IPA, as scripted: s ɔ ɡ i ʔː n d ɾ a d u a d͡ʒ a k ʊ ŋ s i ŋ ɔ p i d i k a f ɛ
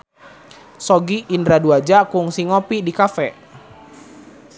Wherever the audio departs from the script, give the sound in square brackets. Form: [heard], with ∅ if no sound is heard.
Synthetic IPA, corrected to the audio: s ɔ ɡ i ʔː n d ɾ a d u a d͡ʒ a k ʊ ŋ s i ŋ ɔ p i d i k a f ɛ